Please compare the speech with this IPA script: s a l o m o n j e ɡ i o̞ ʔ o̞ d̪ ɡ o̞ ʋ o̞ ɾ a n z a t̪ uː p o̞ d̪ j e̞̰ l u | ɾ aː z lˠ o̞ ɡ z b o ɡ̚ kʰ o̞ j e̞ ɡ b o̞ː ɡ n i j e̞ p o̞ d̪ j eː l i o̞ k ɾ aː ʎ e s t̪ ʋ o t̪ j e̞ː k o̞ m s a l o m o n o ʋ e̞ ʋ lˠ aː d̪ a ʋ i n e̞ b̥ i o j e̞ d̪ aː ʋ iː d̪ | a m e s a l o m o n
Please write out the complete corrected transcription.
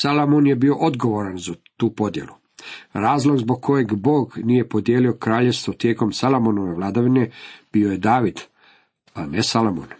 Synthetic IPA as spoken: s a l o m o n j e b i o̞ ʔ o̞ d̪ ɡ o̞ ʋ o̞ ɾ a n z a t̪ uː p o̞ d̪ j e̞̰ l u | ɾ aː z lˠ o̞ ɡ z b o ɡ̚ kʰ o̞ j e̞ ɡ b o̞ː ɡ n i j e̞ p o̞ d̪ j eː l i o̞ k ɾ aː ʎ e s t̪ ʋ o t̪ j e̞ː k o̞ m s a l o m o n o ʋ e̞ ʋ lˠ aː d̪ a ʋ i n e̞ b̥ i o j e̞ d̪ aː ʋ i d̪ | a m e s a l o m o n